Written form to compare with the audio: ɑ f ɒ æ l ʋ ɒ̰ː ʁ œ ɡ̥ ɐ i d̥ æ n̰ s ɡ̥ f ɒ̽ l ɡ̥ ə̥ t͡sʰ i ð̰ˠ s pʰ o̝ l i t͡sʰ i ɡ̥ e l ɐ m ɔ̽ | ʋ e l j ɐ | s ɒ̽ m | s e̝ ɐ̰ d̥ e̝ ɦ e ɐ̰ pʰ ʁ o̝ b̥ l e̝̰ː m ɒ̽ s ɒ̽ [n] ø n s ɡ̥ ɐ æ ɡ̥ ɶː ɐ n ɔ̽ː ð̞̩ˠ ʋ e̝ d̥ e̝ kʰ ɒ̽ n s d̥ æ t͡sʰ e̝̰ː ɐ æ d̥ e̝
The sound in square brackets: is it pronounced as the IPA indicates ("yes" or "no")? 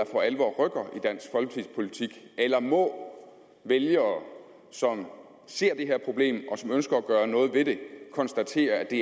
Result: no